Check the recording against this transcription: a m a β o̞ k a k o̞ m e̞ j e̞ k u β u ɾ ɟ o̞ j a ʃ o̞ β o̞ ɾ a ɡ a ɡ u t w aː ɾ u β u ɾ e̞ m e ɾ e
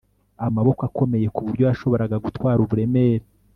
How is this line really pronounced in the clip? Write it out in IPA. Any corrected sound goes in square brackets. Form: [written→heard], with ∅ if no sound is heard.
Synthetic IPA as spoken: a m a β o̞ k a k o̞ m e̞ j e̞ k u β u ɾ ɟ o̞ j a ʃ o̞ β o̞ ɾ a ɡ a ɡ u t w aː ɾ u β u ɾ e̞ m e ɾ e